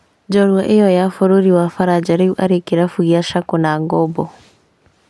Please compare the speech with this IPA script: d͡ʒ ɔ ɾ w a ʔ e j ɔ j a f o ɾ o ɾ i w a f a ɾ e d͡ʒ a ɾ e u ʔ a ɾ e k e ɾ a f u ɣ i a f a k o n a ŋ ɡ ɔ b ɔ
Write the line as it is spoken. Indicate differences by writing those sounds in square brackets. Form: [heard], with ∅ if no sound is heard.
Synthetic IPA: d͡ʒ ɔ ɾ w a ʔ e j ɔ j a f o ɾ o ɾ i w a f a ɾ [a] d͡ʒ a ɾ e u ʔ a ɾ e k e ɾ a f u ɣ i a [ʃ] a k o n a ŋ ɡ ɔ b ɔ